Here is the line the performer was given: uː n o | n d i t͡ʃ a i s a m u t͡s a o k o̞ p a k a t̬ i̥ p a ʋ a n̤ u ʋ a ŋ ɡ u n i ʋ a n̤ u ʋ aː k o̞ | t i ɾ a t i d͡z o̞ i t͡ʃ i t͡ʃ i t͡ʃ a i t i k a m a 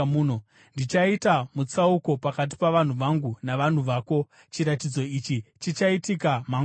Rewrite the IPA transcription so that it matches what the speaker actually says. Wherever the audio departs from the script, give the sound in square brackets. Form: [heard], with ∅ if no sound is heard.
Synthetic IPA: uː n o | n d i t͡ʃ a i [t] a m u t͡s a [u] k o̞ p a k a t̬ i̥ p a ʋ a n̤ u ʋ a ŋ ɡ u n [a] ʋ a n̤ u ʋ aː k o̞ | [t͡ʃ] i ɾ a t i d͡z o̞ i t͡ʃ i t͡ʃ i t͡ʃ a i t i k a m a